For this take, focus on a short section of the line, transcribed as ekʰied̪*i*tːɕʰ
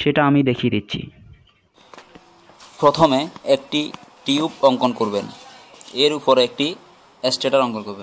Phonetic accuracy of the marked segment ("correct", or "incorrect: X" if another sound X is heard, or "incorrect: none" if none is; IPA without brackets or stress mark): correct